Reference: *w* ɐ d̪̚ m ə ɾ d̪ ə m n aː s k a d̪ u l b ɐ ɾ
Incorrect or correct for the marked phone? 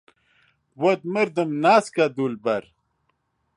correct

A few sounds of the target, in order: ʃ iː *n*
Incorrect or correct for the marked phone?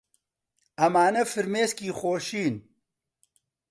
correct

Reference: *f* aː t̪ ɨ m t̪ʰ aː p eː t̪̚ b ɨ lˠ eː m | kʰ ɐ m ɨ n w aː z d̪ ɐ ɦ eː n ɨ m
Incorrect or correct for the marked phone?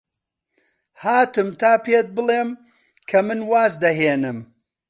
incorrect: h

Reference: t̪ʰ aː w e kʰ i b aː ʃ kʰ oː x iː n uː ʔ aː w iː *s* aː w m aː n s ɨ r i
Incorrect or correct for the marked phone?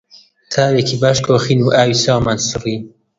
correct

